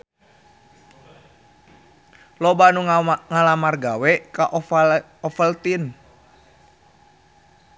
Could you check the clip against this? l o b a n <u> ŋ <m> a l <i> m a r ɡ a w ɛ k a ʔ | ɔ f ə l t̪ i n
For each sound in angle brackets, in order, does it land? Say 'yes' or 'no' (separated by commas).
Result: yes, no, no